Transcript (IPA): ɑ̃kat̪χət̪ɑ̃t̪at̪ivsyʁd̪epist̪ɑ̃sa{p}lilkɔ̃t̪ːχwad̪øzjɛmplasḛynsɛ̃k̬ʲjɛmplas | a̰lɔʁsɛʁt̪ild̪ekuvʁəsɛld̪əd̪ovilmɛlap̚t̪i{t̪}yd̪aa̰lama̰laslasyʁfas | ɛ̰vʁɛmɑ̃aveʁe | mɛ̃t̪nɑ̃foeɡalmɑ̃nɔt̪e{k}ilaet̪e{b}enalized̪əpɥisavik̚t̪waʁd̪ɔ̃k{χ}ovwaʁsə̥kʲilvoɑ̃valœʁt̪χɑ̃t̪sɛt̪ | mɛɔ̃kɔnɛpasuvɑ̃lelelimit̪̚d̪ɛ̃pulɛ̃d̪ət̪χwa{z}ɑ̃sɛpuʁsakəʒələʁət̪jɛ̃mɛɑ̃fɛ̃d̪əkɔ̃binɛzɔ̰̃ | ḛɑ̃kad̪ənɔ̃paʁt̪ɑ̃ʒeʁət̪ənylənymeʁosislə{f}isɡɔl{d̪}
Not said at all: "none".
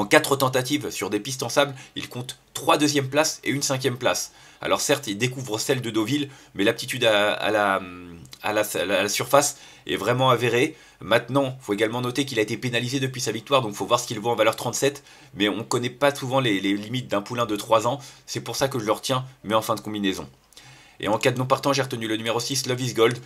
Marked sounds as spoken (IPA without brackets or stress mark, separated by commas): b, t̪, k, p, f, z, v, d̪